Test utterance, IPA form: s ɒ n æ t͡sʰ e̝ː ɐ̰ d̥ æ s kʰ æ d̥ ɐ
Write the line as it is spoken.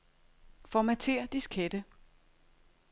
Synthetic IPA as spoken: f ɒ m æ t͡sʰ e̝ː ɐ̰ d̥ i s kʰ e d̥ ə